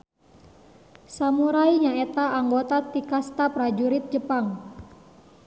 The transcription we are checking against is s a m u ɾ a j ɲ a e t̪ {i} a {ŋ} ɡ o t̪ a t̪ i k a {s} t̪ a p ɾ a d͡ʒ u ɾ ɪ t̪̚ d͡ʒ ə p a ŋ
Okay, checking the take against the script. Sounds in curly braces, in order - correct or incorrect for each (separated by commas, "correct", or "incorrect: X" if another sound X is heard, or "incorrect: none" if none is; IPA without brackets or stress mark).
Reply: incorrect: a, correct, correct